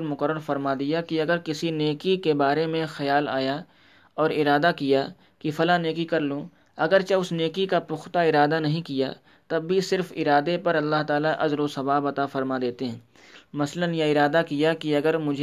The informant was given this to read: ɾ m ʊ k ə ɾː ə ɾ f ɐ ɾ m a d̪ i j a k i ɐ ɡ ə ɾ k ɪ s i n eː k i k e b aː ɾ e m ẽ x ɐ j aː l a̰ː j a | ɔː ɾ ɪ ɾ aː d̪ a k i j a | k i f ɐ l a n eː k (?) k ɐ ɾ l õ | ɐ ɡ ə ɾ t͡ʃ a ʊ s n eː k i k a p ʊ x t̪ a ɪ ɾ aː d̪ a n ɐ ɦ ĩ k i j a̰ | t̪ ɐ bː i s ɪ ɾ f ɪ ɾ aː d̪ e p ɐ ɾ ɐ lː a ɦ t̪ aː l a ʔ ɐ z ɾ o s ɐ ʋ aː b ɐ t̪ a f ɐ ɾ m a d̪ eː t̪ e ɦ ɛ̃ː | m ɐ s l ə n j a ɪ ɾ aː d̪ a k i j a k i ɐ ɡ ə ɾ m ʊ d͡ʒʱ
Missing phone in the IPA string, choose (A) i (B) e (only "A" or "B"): A